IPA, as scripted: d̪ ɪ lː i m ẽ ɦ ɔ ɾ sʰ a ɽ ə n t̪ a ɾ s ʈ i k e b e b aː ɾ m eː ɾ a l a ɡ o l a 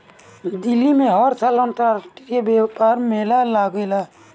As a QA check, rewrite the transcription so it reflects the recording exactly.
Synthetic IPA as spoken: d̪ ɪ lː i m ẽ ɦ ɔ ɾ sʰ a l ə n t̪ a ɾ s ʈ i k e b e p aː ɾ m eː l a l a ɡ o l a